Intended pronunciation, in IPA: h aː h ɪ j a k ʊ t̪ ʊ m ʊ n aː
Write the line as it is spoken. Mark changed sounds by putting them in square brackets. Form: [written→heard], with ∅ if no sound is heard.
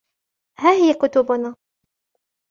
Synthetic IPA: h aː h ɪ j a k ʊ t̪ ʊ [m→b] ʊ n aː

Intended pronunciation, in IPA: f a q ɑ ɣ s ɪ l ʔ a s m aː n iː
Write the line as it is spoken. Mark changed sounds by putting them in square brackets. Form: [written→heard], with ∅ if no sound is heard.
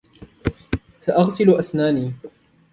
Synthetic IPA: [f→s] a [q→ʔ] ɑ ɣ s ɪ l ʔ a s [m→n] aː n iː

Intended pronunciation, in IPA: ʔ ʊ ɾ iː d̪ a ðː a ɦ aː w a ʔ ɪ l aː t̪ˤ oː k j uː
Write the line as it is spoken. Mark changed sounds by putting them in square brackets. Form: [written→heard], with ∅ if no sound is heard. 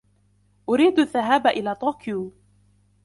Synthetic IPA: ʔ ʊ ɾ iː d̪ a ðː a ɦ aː [w→b] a ʔ ɪ l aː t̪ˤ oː k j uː

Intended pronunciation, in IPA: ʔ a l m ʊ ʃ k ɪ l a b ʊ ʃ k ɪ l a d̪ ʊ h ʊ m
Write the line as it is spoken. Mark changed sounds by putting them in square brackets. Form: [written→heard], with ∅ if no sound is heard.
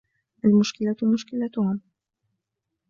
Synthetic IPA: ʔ a l m ʊ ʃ k ɪ l a [b→m] ʊ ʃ k ɪ l a [d̪→t̪] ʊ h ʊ m

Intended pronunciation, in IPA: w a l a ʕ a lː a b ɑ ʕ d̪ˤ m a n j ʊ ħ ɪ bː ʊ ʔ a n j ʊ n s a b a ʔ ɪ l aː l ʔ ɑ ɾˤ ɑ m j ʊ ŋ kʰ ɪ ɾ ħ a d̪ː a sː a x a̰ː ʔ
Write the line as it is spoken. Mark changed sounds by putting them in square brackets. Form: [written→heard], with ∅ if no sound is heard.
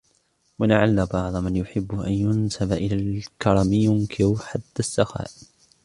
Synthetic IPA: w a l a ʕ a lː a b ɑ ʕ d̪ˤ m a n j ʊ ħ ɪ bː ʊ ʔ a n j ʊ n s a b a ʔ ɪ l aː l [ʔ→k] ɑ ɾˤ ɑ m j ʊ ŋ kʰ ɪ ɾ ħ a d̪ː a sː a x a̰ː ʔ

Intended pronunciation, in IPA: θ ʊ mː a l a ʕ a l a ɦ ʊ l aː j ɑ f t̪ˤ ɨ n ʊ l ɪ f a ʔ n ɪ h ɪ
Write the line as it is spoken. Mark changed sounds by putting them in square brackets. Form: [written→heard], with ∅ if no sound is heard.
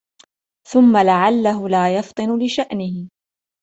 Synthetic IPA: θ ʊ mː a l a ʕ a [l→lː] a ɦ ʊ l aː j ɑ f t̪ˤ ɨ n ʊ l ɪ [f→ʃ] a ʔ n ɪ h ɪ

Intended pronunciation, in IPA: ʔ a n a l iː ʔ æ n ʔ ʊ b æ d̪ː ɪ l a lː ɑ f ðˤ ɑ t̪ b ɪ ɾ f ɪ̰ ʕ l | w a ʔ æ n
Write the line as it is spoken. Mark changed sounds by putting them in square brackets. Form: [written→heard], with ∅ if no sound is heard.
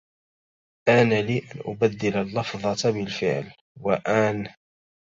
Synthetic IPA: ʔ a n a l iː ʔ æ n ʔ ʊ b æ d̪ː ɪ l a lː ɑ f ðˤ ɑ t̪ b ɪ [ɾ→l] f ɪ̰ ʕ l | w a ʔ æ n

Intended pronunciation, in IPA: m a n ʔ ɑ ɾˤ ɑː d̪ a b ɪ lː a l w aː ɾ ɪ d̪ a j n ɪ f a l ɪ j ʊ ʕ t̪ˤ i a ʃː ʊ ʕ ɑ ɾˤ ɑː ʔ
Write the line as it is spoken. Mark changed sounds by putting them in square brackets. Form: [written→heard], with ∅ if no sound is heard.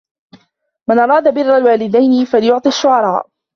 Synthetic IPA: m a n ʔ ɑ ɾˤ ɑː d̪ a b ɪ [lː→rː] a l w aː [ɾ→l] ɪ d̪ a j n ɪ f a l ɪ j ʊ ʕ t̪ˤ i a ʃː ʊ ʕ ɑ ɾˤ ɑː ʔ

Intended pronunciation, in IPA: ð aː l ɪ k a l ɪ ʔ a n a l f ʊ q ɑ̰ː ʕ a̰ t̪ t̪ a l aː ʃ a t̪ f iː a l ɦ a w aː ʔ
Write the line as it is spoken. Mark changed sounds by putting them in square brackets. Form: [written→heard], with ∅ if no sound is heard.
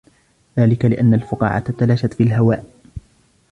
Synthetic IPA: ð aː l ɪ k a l ɪ ʔ a [n→nː] a l f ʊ q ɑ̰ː ʕ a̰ t̪ t̪ a l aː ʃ a t̪ f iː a l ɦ a w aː ʔ

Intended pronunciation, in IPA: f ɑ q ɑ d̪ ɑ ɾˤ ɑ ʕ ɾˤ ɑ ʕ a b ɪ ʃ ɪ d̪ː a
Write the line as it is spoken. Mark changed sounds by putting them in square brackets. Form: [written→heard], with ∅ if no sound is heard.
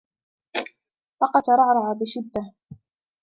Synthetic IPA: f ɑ q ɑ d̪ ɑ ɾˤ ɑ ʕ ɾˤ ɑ ʕ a b ɪ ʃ ɪ d̪ː a

